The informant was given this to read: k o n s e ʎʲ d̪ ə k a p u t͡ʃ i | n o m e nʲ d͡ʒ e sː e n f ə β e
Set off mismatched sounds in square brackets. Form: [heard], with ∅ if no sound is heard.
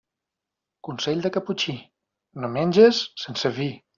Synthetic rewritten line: k [u] n s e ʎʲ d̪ ə k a p u t͡ʃ i | n o m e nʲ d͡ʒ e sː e n [s] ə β [i]